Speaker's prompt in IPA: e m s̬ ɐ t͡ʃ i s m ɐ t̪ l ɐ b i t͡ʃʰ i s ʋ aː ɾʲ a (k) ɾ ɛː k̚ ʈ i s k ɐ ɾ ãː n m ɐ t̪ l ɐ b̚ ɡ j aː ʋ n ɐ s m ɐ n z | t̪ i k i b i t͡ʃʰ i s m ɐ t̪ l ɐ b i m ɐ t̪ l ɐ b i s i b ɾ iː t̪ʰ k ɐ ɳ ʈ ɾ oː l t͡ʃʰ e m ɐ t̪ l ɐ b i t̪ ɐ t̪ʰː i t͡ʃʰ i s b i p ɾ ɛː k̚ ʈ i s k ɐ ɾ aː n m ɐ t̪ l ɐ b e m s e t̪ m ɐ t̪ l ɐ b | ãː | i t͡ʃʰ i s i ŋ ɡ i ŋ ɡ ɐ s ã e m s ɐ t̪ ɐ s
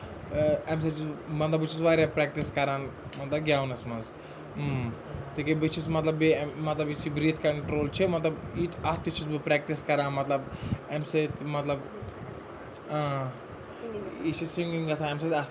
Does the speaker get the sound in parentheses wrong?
yes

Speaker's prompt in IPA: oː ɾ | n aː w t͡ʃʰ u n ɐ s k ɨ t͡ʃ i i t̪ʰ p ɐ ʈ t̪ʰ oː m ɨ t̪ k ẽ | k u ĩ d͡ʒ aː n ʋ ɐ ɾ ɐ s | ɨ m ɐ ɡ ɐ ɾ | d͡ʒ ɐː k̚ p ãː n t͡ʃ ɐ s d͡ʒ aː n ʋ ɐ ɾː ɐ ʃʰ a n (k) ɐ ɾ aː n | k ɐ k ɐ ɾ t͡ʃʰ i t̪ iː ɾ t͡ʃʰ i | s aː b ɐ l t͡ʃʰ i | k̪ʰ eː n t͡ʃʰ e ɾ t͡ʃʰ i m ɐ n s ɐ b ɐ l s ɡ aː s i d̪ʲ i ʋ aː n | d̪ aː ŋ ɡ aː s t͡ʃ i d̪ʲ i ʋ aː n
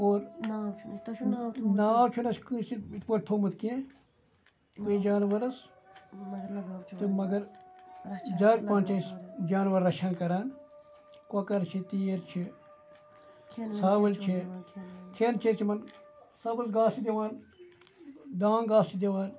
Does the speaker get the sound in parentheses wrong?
no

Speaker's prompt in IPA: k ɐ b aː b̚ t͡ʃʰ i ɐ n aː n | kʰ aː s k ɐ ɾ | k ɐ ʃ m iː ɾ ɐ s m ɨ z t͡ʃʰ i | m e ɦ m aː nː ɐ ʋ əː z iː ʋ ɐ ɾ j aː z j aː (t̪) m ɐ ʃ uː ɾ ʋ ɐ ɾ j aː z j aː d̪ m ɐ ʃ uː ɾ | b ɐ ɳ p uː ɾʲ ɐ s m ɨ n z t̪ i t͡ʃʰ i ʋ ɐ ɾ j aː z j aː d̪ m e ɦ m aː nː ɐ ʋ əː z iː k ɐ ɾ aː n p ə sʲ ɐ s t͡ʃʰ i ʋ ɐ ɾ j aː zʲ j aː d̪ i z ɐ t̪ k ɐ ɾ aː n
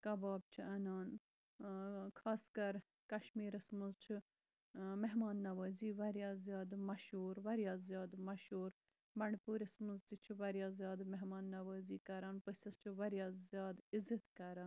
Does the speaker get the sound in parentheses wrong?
yes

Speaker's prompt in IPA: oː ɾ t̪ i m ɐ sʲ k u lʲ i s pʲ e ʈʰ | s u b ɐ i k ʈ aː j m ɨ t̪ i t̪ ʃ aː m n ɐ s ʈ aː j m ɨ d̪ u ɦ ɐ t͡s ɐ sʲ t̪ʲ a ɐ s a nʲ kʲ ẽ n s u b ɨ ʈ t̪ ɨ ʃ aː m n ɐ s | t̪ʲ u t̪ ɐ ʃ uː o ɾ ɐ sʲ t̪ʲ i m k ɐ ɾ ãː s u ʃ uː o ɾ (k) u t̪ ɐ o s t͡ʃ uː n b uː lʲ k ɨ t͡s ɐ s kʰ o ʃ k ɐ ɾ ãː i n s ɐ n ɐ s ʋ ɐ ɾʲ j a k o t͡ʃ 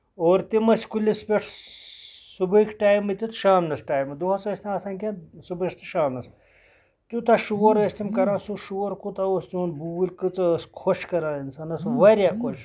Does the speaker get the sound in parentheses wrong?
no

